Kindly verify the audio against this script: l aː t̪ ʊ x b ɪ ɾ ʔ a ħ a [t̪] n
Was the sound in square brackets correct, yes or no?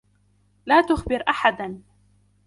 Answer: no